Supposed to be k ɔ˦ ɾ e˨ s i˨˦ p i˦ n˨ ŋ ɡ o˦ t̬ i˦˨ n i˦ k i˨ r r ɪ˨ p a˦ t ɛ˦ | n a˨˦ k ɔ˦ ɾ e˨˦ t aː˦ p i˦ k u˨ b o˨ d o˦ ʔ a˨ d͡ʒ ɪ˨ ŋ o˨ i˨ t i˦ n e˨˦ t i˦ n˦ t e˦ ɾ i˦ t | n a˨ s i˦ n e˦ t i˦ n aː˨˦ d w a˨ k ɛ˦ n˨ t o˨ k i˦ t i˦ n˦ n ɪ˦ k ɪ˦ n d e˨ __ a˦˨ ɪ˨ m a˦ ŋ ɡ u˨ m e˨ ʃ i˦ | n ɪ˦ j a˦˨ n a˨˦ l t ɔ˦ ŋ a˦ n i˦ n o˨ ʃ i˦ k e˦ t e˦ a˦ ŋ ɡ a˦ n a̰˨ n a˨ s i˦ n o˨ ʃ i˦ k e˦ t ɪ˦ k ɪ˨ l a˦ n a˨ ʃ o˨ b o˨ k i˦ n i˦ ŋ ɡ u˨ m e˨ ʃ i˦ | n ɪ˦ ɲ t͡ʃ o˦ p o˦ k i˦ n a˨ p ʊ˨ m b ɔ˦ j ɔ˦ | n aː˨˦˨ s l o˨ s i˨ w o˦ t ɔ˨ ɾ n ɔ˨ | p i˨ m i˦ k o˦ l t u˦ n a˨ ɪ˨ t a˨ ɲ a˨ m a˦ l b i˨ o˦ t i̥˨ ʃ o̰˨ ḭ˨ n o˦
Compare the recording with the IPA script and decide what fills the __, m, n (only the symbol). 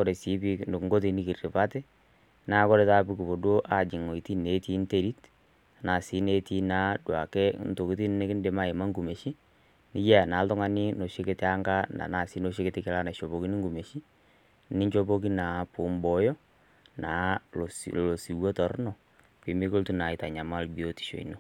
m